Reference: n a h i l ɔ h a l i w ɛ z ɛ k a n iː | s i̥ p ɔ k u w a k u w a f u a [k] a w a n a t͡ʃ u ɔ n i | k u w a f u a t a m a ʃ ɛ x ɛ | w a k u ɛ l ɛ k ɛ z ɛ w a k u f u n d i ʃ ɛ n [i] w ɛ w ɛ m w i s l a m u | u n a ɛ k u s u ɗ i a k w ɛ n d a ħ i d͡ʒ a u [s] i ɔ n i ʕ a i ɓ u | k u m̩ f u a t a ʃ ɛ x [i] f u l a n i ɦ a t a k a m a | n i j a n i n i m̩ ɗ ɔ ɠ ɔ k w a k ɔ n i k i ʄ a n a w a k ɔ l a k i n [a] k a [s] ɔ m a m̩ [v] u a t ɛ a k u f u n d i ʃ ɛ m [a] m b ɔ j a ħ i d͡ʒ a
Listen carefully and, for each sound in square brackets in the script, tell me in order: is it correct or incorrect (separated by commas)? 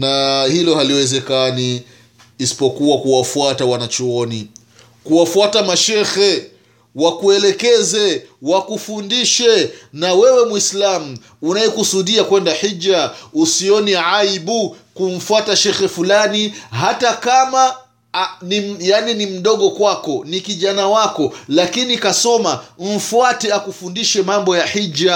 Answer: incorrect, incorrect, correct, incorrect, incorrect, correct, incorrect, correct